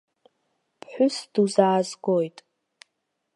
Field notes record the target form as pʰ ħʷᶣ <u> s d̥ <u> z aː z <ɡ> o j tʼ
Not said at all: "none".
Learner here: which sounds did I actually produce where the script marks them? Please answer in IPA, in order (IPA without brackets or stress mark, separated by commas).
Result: ʊ, u, ɡ